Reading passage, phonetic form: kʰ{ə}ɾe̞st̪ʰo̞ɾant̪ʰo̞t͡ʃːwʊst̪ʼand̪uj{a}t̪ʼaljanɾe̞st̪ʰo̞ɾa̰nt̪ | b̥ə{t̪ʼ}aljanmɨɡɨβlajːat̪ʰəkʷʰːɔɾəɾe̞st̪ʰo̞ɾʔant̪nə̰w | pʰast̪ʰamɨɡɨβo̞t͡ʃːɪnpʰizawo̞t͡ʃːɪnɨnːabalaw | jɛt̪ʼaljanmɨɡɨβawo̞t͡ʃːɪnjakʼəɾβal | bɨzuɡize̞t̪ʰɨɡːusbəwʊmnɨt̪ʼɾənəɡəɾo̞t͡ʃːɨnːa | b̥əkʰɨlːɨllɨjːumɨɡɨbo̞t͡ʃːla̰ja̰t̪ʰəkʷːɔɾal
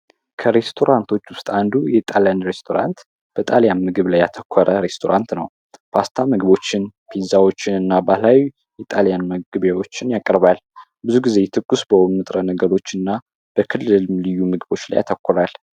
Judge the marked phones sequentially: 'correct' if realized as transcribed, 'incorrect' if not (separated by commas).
correct, incorrect, correct